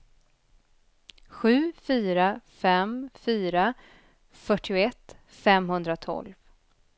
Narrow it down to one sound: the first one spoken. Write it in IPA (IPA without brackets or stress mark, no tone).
ɧ